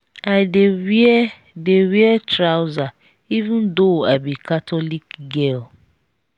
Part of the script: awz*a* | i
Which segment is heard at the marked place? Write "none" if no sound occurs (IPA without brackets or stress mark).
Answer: a